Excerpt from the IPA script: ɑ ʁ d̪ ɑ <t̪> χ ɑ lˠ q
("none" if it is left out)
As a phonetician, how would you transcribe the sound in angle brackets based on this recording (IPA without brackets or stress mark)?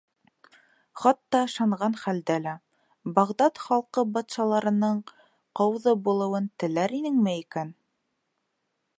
t̪